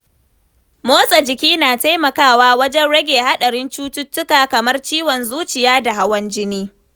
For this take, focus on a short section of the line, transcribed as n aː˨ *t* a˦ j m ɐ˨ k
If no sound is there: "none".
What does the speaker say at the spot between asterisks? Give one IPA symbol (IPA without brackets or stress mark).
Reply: t